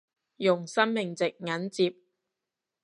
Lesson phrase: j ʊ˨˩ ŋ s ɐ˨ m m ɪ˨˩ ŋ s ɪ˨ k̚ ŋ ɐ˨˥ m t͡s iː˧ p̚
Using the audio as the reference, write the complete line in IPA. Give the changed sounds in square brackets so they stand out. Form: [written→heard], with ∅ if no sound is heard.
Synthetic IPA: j ʊ˨˩ ŋ s [ɐ˨→ɐ˥] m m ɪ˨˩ ŋ [s→t͡s] ɪ˨ k̚ ŋ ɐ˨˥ [m→n] t͡s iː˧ p̚

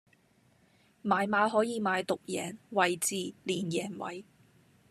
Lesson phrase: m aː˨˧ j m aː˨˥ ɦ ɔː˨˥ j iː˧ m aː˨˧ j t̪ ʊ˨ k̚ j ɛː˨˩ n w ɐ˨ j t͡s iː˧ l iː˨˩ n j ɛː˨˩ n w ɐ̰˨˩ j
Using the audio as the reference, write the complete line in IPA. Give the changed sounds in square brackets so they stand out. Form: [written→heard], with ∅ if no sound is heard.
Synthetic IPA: m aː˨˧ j m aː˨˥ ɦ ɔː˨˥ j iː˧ m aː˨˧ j t̪ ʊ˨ k̚ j ɛː˨˩ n w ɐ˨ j t͡s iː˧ l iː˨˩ n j ɛː˨˩ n w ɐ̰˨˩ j

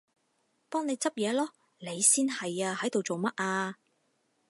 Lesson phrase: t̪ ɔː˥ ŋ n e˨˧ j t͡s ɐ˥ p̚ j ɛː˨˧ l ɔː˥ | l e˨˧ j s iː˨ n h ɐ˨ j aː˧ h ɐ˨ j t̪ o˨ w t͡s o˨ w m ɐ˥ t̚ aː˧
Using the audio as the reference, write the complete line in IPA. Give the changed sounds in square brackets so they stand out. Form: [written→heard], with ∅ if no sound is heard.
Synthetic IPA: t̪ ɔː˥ ŋ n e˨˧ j t͡s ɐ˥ p̚ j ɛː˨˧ l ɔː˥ | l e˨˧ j s [iː˨→iː˥] n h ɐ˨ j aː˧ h [ɐ˨→ɐ˨˥] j t̪ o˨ w t͡s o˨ w m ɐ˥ t̚ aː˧

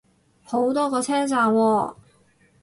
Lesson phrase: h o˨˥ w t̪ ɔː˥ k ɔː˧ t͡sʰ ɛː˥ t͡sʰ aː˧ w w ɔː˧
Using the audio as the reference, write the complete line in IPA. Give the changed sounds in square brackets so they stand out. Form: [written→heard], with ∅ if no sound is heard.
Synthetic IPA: h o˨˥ w t̪ ɔː˥ k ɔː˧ t͡sʰ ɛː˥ [t͡sʰ→t͡s] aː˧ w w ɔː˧

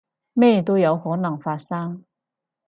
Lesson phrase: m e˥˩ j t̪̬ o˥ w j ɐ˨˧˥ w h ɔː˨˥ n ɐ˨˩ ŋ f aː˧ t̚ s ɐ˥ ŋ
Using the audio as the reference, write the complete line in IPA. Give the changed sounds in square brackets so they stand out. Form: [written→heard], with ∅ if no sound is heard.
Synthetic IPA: m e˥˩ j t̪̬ o˥ w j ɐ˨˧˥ w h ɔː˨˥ n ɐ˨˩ ŋ f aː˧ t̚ s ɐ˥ ŋ

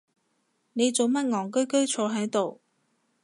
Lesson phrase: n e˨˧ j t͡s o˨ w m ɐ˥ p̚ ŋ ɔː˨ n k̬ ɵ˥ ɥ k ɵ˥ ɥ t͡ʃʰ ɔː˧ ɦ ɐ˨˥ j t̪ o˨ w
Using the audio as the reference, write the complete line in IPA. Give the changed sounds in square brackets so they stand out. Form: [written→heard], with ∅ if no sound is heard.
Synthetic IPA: n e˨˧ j t͡s o˨ w m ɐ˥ [p̚→t̚] ŋ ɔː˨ [n→ŋ] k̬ ɵ˥ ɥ k ɵ˥ ɥ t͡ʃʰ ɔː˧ ɦ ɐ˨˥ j t̪ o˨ w

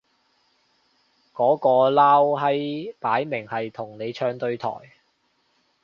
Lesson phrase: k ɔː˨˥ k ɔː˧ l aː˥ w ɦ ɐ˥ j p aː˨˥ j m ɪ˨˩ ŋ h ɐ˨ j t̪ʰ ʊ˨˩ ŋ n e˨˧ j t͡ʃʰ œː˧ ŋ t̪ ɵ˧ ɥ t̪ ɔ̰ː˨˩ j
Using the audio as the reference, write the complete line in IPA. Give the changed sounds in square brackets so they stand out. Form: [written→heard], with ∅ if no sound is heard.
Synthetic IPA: k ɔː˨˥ k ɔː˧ l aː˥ w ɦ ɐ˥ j p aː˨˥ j m ɪ˨˩ ŋ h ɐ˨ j t̪ʰ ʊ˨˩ ŋ n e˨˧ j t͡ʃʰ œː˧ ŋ t̪ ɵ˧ ɥ [t̪→t̪ʰ] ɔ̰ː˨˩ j

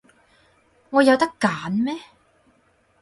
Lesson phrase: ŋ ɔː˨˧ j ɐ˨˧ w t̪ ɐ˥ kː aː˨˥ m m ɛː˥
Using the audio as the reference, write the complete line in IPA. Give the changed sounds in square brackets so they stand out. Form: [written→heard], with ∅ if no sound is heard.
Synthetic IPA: ŋ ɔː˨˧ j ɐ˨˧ w t̪ ɐ˥ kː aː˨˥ [m→n] m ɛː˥

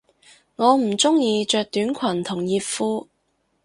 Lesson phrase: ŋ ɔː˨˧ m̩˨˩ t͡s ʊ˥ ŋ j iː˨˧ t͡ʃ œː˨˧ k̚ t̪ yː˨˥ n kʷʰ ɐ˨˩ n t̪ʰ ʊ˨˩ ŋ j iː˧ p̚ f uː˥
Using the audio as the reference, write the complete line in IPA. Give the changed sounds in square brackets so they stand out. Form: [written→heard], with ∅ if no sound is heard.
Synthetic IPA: ŋ ɔː˨˧ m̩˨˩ t͡s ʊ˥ ŋ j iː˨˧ t͡ʃ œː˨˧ k̚ t̪ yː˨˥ n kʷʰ ɐ˨˩ n t̪ʰ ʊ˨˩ ŋ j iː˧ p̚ f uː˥

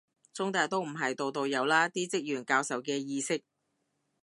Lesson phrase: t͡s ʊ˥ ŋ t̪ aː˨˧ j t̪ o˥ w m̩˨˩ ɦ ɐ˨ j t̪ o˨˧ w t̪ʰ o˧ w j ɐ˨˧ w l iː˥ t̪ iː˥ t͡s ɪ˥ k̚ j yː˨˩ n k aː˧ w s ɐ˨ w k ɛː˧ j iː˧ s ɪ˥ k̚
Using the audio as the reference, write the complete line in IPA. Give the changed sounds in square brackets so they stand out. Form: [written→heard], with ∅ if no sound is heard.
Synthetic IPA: t͡s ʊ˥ ŋ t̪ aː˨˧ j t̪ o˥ w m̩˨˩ ɦ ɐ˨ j t̪ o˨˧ w [t̪ʰ→t̪] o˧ w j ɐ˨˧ w l [iː˥→aː˥] t̪ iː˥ t͡s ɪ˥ k̚ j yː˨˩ n k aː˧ w s ɐ˨ w k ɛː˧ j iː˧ s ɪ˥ k̚

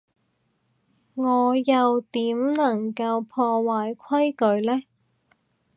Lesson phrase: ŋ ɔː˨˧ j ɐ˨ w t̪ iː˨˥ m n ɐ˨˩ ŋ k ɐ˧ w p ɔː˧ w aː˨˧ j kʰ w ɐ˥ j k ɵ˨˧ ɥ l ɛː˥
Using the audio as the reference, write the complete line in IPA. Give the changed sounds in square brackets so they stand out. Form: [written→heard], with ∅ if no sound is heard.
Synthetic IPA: ŋ ɔː˨˧ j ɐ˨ w t̪ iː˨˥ m n ɐ˨˩ ŋ k ɐ˧ w [p→pʰ] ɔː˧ w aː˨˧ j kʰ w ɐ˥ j k ɵ˨˧ ɥ l ɛː˥

